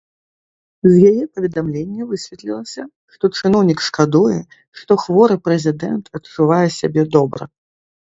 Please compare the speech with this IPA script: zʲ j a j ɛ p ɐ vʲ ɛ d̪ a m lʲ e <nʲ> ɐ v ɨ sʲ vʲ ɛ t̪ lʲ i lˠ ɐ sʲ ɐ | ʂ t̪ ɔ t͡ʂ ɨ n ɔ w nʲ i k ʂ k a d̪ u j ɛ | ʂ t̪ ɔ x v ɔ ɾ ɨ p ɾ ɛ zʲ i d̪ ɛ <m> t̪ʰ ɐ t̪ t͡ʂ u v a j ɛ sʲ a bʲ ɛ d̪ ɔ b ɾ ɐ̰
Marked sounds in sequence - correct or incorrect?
incorrect: nʲː, incorrect: n

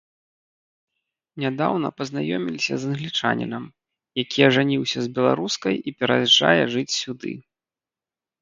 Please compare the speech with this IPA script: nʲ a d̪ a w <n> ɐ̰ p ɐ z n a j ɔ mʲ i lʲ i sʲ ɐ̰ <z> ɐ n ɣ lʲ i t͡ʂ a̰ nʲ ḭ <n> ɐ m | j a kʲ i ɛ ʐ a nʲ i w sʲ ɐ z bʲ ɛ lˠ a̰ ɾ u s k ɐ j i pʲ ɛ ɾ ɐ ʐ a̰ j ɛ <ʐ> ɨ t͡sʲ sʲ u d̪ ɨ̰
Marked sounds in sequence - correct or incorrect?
correct, correct, correct, correct

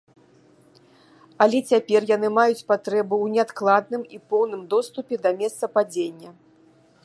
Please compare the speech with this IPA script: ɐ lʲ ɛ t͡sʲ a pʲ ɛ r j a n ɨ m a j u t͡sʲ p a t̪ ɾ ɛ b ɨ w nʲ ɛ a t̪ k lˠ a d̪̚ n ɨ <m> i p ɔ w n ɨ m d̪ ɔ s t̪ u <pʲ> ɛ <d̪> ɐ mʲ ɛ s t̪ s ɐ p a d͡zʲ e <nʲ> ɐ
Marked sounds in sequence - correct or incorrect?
correct, correct, correct, incorrect: nʲː

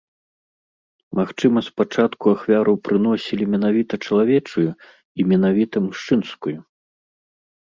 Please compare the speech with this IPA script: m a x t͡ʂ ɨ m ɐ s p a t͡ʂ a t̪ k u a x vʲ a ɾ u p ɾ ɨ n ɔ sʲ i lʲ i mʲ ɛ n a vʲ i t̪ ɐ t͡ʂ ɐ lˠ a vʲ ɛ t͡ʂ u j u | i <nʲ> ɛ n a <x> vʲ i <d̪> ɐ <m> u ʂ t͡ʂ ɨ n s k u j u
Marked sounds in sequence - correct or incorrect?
incorrect: mʲ, incorrect: none, incorrect: t̪, correct

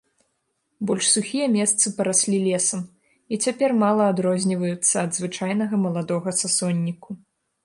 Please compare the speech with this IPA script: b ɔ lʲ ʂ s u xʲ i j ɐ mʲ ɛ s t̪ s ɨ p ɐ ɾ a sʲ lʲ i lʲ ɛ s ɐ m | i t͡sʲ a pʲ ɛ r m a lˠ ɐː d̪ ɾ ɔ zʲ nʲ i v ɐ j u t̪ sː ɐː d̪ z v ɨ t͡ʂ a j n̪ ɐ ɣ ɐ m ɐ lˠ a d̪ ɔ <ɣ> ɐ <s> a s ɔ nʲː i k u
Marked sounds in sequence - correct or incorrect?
correct, correct

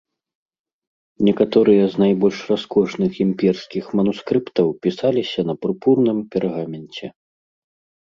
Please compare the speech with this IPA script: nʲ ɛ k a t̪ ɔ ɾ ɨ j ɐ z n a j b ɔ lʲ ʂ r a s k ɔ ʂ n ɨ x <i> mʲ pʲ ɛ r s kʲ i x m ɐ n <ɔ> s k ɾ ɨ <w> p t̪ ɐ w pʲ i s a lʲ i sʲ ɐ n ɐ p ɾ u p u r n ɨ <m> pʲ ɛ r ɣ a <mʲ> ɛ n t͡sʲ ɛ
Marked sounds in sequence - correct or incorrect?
correct, incorrect: u, incorrect: none, correct, correct

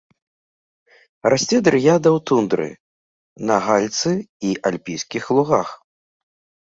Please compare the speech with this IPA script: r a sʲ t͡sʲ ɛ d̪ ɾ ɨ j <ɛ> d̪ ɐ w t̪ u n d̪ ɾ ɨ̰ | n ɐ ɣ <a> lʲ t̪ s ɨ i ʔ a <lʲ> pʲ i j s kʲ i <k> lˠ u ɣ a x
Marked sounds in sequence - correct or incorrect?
incorrect: a, correct, correct, incorrect: x

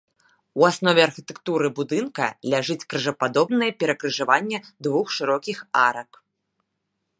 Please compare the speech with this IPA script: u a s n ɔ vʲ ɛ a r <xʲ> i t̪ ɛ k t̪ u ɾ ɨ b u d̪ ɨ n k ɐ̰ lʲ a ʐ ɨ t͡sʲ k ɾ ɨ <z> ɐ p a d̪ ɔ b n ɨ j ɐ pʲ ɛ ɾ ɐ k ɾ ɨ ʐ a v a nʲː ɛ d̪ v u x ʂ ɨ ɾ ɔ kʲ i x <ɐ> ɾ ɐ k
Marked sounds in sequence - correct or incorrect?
correct, incorrect: ʐ, incorrect: a

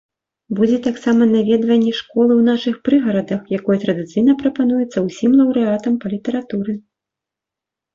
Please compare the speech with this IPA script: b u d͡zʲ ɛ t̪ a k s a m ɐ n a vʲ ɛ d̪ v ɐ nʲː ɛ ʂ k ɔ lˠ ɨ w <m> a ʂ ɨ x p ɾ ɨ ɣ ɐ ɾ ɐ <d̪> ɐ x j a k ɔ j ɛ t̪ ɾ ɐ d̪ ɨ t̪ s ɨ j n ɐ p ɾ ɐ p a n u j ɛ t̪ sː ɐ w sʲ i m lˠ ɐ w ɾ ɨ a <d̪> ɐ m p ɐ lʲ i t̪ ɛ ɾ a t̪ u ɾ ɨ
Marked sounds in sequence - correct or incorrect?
incorrect: n, correct, incorrect: t̪

